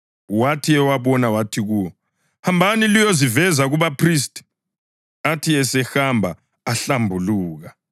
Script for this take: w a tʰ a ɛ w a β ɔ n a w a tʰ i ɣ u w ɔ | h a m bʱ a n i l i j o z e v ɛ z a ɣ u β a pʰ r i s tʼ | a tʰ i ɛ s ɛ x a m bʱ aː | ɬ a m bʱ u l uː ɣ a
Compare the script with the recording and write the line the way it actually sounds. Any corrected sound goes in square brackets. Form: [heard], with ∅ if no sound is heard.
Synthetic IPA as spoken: w a tʰ [i] ɛ w a β ɔ n a w a tʰ i ɣ u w ɔ | h a m bʱ a n i l i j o z [i] v ɛ z a ɣ u β a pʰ r i s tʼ | a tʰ i ɛ s ɛ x a m bʱ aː | ɬ a m bʱ u l uː ɣ a